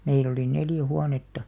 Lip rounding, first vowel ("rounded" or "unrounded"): unrounded